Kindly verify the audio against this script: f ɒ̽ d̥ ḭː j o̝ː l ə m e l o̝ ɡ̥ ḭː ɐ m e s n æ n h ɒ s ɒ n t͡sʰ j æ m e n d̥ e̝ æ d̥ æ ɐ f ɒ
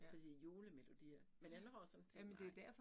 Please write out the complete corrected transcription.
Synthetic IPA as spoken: f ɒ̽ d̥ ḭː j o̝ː l ə m e l o̝ d̥ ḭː ɐ m e n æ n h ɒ s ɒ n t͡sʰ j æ m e n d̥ e̝ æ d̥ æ ɐ f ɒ